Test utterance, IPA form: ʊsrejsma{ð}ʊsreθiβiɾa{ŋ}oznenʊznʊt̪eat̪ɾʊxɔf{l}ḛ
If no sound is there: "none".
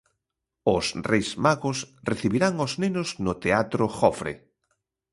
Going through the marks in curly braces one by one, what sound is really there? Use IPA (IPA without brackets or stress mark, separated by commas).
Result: ɣ, ŋ, ɾ